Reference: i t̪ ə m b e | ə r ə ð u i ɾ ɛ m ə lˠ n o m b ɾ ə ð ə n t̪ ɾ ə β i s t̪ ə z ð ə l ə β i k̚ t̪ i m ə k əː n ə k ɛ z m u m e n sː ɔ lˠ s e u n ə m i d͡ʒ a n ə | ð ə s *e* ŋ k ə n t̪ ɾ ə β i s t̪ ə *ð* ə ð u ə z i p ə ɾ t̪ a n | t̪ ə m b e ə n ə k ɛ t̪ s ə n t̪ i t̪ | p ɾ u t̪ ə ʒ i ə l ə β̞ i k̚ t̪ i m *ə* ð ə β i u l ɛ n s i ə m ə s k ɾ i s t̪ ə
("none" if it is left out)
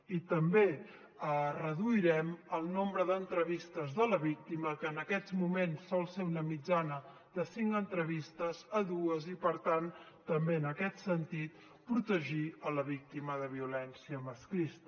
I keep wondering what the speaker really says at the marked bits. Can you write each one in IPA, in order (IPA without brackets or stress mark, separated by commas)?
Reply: i, z, ə